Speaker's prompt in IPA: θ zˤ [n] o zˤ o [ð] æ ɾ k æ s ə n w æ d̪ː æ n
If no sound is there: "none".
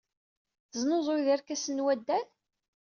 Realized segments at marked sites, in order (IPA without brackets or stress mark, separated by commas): n, ð